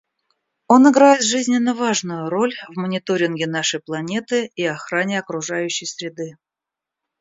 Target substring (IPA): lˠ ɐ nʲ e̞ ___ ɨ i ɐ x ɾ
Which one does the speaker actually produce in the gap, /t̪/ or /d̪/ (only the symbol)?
t̪